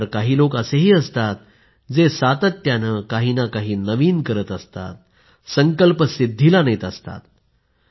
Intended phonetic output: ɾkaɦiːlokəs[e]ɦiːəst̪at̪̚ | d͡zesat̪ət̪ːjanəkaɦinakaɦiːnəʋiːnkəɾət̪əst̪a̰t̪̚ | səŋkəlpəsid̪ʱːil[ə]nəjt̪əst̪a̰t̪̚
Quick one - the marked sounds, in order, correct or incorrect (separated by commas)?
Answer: correct, incorrect